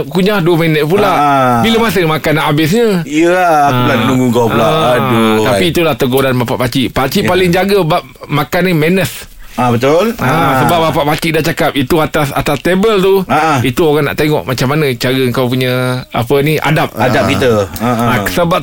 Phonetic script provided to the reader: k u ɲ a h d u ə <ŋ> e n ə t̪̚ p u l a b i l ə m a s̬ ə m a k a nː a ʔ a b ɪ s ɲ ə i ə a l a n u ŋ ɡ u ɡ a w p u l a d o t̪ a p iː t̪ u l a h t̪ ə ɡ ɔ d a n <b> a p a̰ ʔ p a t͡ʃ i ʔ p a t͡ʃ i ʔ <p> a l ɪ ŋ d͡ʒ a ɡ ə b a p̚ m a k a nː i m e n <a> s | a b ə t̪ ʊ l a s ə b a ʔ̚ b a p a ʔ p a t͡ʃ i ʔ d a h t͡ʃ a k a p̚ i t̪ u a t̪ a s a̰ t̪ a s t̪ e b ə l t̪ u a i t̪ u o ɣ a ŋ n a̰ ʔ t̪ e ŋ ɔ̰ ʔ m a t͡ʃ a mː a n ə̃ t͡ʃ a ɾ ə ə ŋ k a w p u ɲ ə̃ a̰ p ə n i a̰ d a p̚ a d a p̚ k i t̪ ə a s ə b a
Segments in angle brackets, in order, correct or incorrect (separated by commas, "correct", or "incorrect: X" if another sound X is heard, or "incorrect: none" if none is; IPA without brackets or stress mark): incorrect: m, correct, correct, incorrect: ə